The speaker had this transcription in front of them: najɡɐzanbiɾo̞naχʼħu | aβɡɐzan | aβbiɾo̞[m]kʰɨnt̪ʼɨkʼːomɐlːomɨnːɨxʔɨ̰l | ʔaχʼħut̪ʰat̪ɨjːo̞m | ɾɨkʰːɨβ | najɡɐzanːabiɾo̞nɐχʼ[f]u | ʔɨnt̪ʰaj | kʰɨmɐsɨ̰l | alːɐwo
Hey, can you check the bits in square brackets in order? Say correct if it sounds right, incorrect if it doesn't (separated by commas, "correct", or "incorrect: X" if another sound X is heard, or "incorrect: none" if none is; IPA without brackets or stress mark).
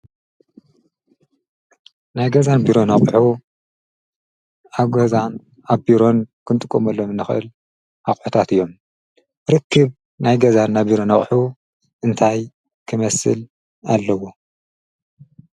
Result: incorrect: n, incorrect: ħ